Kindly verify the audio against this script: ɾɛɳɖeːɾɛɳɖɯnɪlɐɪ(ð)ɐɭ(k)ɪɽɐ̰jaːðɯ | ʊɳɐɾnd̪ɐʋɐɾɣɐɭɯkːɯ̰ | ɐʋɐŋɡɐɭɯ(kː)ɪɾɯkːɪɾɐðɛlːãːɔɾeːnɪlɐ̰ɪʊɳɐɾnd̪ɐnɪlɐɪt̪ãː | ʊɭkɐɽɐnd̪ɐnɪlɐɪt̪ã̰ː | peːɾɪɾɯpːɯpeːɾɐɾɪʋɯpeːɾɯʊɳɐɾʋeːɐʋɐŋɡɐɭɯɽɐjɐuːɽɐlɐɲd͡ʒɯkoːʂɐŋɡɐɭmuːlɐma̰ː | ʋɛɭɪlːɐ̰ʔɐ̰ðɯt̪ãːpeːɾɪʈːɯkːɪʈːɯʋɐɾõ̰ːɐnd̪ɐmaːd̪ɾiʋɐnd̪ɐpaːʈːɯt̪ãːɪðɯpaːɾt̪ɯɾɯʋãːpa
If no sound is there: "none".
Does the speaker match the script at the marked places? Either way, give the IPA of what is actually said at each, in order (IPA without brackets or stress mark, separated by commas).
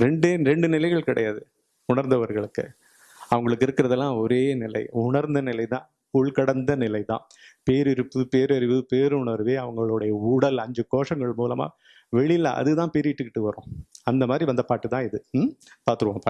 ɣ, k, kː